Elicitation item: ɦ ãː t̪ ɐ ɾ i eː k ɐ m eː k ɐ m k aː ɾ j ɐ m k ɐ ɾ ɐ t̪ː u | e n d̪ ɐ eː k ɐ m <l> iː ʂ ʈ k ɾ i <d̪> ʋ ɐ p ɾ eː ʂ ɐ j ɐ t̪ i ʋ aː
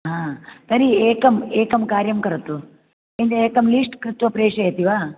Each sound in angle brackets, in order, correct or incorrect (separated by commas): correct, incorrect